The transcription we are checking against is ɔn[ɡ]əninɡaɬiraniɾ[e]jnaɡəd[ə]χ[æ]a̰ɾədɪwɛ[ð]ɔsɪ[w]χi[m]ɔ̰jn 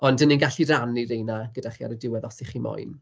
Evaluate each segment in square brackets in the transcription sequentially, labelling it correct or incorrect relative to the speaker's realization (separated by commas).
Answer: incorrect, correct, incorrect, incorrect, correct, incorrect, correct